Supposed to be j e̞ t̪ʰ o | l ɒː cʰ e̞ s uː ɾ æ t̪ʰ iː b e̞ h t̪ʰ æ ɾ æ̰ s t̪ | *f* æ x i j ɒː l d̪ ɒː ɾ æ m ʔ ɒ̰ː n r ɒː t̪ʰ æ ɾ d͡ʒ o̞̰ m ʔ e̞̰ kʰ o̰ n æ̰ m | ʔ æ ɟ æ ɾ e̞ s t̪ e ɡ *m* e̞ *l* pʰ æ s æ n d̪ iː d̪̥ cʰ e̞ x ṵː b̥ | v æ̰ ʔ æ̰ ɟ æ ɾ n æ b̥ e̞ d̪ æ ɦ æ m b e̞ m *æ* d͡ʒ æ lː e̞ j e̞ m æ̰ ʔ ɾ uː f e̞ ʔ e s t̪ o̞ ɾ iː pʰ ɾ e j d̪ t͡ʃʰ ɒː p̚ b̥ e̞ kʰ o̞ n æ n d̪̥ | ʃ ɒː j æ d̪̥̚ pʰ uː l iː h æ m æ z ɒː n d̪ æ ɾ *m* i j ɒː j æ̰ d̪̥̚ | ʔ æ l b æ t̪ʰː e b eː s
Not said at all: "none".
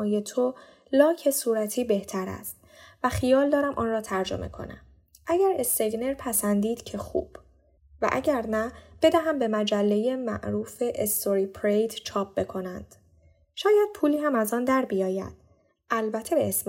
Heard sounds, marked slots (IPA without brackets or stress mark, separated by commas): v, n, ɾ, æ, b